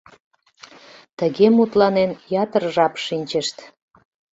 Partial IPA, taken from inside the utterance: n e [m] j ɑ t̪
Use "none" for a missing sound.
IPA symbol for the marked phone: n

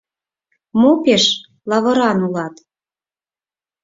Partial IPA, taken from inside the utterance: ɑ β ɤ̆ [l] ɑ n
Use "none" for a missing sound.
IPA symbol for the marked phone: ɾ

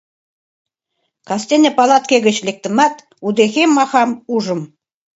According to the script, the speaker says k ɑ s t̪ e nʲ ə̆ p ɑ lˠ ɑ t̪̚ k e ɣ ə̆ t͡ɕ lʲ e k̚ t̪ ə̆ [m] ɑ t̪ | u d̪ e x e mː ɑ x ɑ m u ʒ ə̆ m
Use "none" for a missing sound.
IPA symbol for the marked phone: m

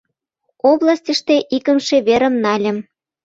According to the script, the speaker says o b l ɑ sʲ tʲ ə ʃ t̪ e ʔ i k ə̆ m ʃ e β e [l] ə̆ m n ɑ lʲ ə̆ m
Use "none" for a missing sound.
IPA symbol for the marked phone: ɾ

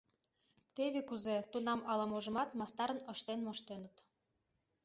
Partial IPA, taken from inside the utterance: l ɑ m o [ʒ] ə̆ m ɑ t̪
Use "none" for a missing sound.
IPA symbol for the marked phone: ʒ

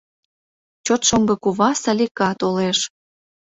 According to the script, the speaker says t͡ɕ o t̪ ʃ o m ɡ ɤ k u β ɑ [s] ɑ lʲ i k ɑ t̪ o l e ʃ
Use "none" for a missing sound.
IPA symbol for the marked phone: s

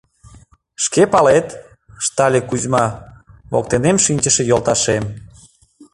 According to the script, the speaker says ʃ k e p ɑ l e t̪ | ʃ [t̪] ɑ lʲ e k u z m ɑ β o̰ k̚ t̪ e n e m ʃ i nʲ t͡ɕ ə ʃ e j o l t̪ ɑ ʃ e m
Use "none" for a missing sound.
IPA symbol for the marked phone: t̪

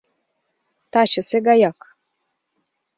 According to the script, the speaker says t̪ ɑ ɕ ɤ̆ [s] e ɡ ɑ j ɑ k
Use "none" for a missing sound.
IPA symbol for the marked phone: s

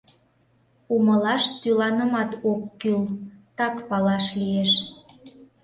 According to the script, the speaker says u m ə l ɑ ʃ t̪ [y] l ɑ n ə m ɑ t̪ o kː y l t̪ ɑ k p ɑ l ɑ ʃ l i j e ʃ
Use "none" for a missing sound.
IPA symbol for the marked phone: y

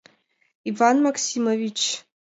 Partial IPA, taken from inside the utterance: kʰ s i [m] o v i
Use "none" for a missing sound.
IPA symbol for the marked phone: m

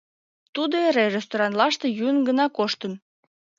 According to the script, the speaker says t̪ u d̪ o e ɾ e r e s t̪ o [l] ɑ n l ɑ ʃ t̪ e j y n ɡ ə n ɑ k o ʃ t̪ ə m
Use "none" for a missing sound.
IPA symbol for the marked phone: ɾ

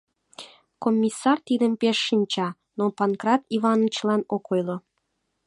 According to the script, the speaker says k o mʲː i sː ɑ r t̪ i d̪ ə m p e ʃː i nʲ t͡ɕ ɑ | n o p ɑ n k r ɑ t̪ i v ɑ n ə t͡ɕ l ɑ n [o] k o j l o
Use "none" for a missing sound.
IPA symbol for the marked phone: o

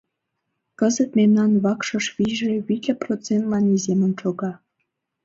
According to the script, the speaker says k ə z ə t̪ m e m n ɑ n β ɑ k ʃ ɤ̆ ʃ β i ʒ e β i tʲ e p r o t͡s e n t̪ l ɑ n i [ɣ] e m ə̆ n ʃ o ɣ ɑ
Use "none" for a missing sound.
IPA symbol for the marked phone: z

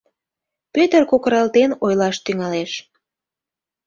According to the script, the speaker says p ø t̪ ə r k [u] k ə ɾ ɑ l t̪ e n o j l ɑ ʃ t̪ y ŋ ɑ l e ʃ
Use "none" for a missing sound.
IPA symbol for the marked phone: o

